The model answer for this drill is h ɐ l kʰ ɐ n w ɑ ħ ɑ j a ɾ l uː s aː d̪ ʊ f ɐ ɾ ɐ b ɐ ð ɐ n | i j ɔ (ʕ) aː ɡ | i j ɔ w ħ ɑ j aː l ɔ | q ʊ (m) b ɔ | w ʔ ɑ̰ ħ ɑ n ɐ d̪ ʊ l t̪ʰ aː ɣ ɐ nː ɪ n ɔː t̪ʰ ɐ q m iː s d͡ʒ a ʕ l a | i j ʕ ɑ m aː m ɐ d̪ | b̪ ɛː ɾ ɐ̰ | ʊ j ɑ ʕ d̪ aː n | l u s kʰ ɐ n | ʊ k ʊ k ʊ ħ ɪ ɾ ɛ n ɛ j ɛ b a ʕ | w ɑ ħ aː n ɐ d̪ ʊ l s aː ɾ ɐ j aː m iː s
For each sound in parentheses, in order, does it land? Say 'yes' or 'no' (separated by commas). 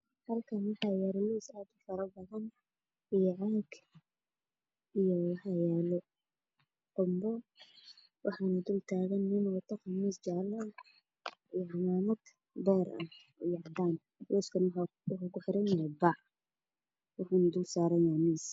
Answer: yes, yes